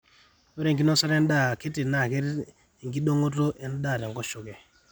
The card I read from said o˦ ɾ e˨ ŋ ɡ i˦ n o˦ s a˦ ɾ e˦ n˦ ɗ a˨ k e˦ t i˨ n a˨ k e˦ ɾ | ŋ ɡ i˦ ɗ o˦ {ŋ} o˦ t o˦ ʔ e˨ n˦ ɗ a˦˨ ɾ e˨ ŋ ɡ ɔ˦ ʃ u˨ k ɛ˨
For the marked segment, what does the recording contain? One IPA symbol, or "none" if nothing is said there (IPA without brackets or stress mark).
ŋ